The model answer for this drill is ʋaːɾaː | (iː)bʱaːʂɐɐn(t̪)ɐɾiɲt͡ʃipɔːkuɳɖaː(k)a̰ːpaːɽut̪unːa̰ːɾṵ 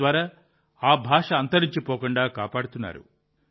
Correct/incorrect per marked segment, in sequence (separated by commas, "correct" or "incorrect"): incorrect, correct, correct